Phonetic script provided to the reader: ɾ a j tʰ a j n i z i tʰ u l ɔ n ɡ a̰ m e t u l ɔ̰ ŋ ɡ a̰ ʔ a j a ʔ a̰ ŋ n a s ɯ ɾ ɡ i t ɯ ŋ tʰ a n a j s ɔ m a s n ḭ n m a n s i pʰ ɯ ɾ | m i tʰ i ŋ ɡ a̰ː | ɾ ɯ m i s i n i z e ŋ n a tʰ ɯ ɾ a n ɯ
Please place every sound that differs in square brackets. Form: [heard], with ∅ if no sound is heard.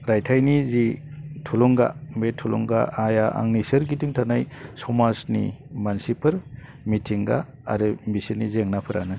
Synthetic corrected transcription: ɾ a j tʰ a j n i z i tʰ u l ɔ [ŋ] ɡ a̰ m e [tʰ] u l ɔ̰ ŋ ɡ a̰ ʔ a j a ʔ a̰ ŋ n [i] s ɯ ɾ ɡ i t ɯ ŋ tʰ a n a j s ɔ m a s n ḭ [∅] m a n s i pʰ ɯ ɾ | m i tʰ i ŋ ɡ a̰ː | ɾ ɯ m i s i n i z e ŋ n a [pʰ] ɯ ɾ a n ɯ